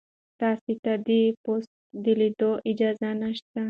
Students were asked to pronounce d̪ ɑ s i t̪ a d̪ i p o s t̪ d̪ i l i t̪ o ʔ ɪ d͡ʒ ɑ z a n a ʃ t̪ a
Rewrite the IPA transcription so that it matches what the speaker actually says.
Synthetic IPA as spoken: t̪ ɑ s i t̪ a d̪ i p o s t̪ d̪ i l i d̪ o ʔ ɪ d͡ʒ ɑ z a n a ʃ t̪ a